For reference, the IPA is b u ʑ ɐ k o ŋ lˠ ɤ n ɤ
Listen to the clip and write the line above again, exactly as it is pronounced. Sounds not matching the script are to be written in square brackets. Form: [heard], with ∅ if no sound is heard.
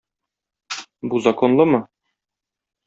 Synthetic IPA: b u [z] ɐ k o [n] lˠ ɤ [m] ɤ